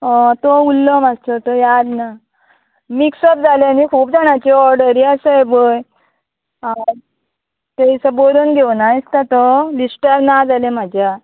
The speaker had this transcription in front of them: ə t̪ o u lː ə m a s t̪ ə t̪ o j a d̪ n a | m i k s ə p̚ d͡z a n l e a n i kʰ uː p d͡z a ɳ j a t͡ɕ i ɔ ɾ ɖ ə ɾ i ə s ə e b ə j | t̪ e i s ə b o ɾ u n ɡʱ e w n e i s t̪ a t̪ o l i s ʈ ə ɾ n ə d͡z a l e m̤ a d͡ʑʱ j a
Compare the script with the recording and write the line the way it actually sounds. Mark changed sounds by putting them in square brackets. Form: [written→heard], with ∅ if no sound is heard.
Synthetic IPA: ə t̪ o u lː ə m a s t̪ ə t̪ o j a d̪ n a | m i k s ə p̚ d͡z a [n→∅] l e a n i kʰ uː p d͡z a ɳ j a t͡ɕ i ɔ ɾ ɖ ə ɾ i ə s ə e b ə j | t̪ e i s ə b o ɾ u n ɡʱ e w n [e→a] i s t̪ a t̪ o l i s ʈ ə ɾ n [ə→a] d͡z a l e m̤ a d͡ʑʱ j a